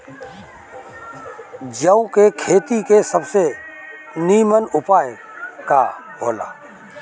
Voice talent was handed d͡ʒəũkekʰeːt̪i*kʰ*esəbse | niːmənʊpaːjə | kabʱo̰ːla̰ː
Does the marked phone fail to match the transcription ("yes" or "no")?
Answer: yes